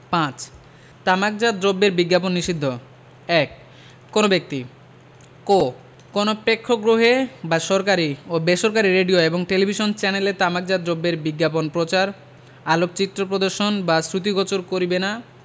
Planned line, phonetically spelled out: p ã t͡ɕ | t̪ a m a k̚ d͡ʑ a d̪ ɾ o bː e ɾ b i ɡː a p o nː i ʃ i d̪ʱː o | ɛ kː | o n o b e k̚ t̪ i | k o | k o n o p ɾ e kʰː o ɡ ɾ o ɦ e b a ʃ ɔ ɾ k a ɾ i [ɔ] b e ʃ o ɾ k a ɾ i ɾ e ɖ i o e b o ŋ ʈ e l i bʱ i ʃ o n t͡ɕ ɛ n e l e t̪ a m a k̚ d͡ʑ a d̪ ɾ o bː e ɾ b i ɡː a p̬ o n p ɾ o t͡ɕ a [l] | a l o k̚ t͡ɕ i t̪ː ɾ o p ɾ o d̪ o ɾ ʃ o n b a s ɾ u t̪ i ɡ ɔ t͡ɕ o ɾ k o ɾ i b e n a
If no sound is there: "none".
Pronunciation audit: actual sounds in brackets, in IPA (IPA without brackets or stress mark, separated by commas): o, ɾ